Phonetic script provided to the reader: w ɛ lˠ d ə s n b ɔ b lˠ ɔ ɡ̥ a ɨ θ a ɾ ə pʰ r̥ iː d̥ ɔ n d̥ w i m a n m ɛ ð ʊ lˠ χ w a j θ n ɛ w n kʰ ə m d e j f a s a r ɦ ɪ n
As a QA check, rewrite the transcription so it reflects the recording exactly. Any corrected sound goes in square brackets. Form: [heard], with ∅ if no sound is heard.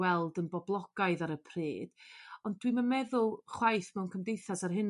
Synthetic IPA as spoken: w ɛ lˠ d ə [∅] n b ɔ b lˠ ɔ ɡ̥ a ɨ [ð] a ɾ ə pʰ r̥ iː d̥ ɔ n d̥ w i m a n m ɛ ð ʊ lˠ χ w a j θ [m] ɛ w n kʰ ə m d e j [θ] a s a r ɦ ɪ n